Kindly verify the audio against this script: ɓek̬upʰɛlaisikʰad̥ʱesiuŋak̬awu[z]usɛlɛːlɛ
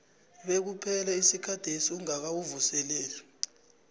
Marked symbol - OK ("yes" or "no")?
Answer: no